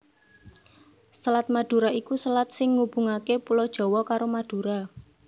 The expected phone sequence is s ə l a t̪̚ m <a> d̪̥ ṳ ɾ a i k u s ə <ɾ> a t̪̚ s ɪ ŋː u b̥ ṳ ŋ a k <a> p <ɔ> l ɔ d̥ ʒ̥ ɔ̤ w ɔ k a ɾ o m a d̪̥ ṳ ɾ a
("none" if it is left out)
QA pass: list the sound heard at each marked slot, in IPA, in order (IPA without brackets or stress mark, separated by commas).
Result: a, l, e, u